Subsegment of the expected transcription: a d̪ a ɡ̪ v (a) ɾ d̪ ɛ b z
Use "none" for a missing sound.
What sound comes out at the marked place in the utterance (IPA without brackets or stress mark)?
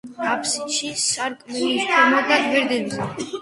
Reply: ɛ